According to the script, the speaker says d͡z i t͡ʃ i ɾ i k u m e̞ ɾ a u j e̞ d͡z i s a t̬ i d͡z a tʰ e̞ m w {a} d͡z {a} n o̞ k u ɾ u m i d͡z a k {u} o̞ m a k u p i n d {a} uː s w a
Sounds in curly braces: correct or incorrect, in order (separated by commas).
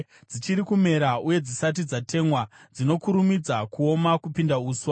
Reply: correct, incorrect, correct, correct